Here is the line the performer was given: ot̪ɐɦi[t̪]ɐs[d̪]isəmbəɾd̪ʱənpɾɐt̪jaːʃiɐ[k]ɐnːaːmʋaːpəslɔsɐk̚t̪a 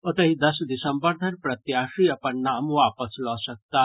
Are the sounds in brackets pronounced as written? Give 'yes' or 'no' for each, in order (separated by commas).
no, yes, no